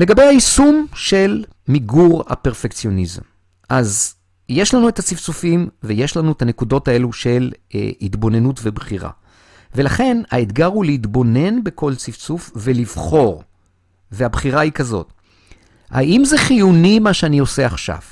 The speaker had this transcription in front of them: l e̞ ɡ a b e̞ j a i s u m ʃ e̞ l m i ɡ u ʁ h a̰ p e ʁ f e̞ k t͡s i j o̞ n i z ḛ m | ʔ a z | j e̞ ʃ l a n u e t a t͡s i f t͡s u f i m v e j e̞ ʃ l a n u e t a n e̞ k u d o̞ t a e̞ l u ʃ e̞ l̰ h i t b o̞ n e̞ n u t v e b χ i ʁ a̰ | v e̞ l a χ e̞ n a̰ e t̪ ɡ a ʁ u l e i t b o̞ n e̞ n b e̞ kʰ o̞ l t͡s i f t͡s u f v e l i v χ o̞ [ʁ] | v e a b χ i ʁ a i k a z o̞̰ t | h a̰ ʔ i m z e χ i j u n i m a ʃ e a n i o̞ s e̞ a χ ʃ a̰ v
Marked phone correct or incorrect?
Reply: correct